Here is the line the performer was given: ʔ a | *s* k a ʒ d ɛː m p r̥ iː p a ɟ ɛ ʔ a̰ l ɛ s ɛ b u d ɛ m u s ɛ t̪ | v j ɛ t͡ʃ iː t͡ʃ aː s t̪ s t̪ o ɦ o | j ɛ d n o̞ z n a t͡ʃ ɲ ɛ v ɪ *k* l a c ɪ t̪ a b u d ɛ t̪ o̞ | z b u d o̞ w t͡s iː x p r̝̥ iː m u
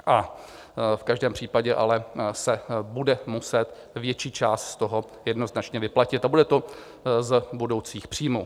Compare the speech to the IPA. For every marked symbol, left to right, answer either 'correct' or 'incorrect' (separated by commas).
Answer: incorrect, incorrect